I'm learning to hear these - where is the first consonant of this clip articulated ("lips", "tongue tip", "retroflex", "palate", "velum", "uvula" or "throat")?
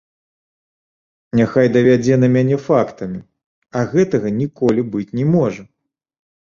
tongue tip